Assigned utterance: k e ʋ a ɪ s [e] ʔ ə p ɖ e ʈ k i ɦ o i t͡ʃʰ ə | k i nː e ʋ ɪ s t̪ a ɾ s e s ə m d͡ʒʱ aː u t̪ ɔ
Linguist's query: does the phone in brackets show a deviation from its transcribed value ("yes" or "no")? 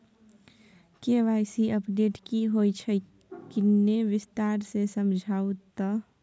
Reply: yes